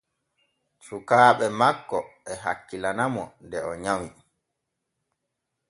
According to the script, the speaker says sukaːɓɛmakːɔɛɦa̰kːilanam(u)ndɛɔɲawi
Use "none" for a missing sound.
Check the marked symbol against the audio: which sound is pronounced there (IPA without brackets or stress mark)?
ɔ